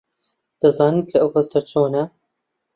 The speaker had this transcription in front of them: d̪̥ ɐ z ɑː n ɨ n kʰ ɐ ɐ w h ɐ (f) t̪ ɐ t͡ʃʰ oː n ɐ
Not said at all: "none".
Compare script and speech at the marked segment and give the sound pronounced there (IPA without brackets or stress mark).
s